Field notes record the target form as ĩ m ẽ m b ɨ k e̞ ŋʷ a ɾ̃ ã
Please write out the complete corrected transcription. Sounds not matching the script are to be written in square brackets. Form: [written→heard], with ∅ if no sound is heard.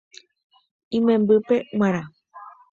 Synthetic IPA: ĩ m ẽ m b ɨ [k→p] e̞ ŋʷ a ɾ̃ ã